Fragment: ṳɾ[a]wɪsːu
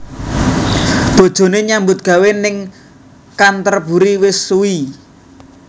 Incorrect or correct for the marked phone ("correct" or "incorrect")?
incorrect